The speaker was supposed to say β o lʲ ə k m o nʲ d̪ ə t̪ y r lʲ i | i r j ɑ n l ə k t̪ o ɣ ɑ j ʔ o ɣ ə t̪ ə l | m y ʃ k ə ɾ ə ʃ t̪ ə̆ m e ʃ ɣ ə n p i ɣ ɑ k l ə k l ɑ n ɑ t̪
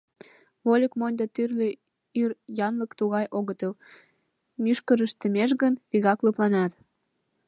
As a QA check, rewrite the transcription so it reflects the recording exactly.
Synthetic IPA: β o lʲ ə k m o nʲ d̪ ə t̪ y r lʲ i | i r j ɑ n l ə k t̪ u ɣ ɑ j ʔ o ɣ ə t̪ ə l | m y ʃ k ə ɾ ə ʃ t̪ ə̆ m e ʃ ɣ ə n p i ɣ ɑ k l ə p l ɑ n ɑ t̪